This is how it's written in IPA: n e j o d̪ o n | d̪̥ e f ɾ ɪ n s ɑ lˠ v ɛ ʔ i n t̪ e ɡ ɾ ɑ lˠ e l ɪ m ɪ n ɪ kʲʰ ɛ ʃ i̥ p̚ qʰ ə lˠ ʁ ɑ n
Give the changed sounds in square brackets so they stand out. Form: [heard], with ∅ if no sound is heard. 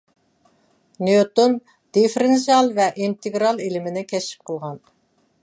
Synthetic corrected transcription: n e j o [t̪] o n | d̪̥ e f ɾ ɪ n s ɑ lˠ v ɛ ʔ i n t̪ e ɡ ɾ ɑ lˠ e l ɪ m ɪ n ɪ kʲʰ ɛ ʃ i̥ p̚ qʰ ə lˠ ʁ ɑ n